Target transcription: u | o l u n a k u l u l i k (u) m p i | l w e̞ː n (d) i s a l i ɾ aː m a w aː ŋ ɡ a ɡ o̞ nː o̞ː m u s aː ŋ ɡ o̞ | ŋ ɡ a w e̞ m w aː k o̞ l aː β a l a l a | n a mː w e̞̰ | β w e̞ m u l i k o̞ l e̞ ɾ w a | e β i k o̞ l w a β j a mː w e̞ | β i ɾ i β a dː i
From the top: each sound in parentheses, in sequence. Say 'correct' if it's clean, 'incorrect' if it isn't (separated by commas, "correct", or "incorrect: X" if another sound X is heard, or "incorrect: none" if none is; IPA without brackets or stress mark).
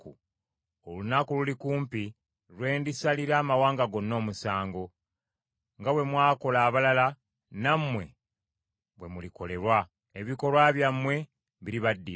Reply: incorrect: uː, correct